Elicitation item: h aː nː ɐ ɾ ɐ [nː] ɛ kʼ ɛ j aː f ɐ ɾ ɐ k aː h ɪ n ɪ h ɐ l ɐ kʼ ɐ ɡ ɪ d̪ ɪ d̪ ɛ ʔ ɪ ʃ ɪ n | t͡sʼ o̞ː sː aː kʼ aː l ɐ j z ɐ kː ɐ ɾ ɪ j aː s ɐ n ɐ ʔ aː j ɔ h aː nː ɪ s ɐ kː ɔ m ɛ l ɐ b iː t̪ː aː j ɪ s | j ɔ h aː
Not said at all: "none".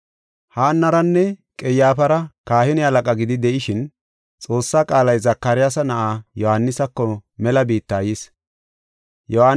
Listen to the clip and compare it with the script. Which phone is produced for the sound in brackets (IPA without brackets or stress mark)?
nː